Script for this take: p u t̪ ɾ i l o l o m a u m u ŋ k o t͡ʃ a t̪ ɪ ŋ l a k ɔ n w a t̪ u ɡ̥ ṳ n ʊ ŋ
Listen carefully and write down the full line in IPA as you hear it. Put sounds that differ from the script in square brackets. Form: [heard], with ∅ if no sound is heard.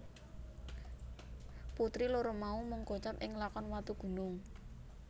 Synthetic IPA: p u t̪ ɾ i l o [ɾ] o m a u m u ŋ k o t͡ʃ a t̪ ɪ ŋ l a k ɔ n w a t̪ u ɡ̥ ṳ n ʊ ŋ